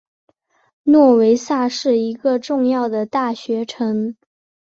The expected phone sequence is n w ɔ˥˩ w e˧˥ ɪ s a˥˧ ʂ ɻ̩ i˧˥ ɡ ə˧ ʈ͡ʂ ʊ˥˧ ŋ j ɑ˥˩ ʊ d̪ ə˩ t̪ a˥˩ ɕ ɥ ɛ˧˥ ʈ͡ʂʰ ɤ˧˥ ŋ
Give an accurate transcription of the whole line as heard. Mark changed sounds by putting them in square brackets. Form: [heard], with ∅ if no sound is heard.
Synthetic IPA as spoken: n w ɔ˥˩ w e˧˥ ɪ s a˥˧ ʂ ɻ̩ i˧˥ ɡ ə˧ ʈ͡ʂ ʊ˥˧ ŋ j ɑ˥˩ ʊ d̪ ə˩ t̪ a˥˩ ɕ ɥ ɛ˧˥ ʈ͡ʂʰ ɤ˧˥ ŋ